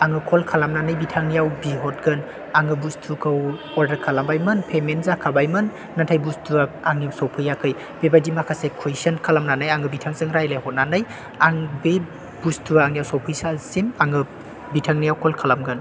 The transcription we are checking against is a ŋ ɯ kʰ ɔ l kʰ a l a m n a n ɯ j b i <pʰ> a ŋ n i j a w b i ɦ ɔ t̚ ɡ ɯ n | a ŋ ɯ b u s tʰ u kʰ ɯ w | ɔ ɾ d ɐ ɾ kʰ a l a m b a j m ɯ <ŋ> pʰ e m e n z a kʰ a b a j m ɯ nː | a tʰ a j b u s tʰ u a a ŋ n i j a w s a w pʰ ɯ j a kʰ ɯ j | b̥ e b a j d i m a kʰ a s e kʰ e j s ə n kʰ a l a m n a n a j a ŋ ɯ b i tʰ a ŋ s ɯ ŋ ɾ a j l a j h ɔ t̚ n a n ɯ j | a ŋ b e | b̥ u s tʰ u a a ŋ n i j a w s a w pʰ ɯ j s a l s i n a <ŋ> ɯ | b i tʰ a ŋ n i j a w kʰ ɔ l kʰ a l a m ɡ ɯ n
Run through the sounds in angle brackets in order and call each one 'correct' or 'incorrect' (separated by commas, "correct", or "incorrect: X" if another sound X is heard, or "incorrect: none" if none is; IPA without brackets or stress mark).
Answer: incorrect: tʰ, incorrect: n, correct